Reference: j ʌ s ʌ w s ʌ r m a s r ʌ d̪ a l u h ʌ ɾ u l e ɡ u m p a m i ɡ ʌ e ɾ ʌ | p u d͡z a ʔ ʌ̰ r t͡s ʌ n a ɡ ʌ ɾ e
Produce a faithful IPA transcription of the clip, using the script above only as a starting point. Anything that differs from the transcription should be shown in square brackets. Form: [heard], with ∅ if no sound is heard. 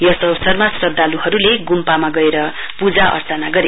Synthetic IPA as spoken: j ʌ s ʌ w s ʌ r m a s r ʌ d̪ a l u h ʌ ɾ u l e ɡ u m p a m [a] ɡ ʌ e ɾ ʌ | p u d͡z a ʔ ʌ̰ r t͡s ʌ n a ɡ ʌ ɾ e